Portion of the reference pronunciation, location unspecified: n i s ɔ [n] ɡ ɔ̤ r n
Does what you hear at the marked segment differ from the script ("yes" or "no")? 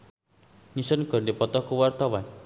no